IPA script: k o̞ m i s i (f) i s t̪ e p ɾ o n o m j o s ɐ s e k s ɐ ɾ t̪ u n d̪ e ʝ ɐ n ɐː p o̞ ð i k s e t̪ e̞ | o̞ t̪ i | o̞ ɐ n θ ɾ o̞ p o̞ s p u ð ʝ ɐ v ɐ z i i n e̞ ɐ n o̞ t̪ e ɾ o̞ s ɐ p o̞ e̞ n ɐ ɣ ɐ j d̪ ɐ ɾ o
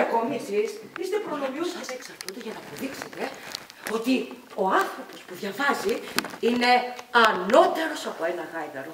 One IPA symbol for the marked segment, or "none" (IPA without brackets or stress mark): s